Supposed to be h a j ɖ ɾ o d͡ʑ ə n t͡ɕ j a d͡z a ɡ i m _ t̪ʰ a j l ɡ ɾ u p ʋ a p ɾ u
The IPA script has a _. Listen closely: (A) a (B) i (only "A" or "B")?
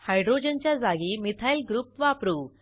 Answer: B